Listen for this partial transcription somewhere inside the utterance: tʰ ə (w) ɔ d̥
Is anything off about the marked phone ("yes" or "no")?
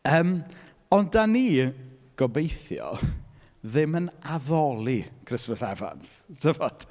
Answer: yes